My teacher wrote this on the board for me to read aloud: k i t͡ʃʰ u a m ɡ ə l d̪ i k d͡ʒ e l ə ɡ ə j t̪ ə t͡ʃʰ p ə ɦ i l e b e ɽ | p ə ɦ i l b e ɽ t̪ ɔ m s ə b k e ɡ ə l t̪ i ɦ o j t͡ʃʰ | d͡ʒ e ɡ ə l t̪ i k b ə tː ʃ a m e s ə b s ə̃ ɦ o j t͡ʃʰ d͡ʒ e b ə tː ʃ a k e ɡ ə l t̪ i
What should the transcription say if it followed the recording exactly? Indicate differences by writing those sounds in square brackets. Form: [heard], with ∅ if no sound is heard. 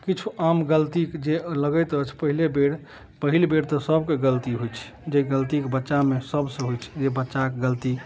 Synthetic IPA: k i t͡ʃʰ u a m ɡ ə l [t̪] i k d͡ʒ e l ə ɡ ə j t̪ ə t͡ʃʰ p ə ɦ i l e b e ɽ | p ə ɦ i l b e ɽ t̪ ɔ [∅] s ə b k e ɡ ə l t̪ i ɦ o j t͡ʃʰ | d͡ʒ e ɡ ə l t̪ i k b ə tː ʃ a m e s ə b s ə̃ ɦ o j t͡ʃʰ d͡ʒ e b ə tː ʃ a k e ɡ ə l t̪ i